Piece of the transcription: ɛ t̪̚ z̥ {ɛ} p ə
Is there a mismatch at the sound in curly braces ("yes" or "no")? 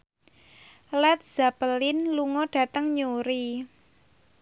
yes